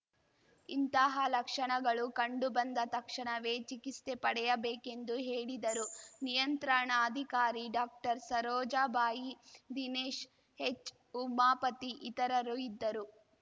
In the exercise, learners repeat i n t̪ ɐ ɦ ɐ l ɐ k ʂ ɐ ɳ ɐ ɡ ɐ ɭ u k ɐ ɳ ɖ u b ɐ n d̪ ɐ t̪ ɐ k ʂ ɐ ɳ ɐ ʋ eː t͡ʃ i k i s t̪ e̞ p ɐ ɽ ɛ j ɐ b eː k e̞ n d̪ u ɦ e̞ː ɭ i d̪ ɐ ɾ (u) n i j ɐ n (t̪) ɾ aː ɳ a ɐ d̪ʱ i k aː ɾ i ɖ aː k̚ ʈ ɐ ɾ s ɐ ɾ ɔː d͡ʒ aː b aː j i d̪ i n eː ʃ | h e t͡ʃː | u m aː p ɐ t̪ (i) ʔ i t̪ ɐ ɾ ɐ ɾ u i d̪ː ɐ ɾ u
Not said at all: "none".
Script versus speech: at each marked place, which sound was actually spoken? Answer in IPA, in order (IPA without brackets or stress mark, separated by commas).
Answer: u, t̪, i